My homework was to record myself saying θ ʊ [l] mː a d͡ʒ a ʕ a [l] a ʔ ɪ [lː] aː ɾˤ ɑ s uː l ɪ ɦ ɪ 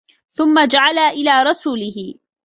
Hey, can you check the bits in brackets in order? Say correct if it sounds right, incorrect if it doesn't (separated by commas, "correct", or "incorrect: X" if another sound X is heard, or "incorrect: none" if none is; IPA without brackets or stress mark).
incorrect: none, correct, incorrect: l